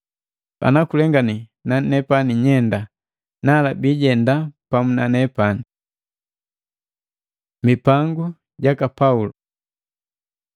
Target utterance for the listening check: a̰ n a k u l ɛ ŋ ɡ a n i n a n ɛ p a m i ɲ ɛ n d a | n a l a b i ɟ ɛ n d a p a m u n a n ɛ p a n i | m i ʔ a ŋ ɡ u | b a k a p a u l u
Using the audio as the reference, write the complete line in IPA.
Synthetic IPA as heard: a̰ n a k u l ɛ ŋ ɡ a n i n a n ɛ p a n i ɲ ɛ n d a | n a l a b i ɟ ɛ n d a p a m u n a n ɛ p a n i | m i p a ŋ ɡ u | ɟ a k a p a u l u